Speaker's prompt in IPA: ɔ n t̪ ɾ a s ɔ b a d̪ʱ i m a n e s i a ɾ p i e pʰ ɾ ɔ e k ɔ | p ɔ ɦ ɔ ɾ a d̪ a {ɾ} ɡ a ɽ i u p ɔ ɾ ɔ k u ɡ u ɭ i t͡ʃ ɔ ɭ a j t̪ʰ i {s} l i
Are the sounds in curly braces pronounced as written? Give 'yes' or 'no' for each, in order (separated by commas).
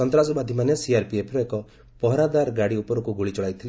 yes, no